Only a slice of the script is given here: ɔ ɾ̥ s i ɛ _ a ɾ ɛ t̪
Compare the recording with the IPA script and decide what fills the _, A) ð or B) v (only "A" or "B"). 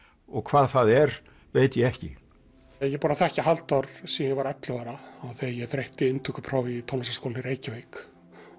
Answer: B